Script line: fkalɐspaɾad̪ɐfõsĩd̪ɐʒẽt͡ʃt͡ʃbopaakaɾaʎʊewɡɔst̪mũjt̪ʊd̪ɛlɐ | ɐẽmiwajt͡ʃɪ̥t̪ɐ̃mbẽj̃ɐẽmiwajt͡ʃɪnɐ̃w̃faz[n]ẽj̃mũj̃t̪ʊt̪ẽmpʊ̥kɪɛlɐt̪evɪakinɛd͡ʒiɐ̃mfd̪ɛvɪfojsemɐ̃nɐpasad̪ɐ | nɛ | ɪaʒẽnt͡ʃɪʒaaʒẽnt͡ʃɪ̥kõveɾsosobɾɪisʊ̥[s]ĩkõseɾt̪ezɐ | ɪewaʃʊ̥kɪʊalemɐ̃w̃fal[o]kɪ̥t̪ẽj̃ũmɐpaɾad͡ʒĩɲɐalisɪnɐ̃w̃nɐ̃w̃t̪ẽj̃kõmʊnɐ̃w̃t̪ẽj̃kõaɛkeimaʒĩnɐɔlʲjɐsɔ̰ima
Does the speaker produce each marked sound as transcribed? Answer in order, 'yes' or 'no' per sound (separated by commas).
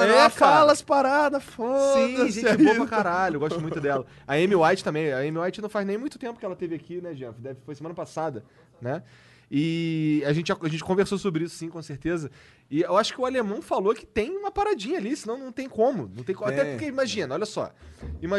yes, yes, yes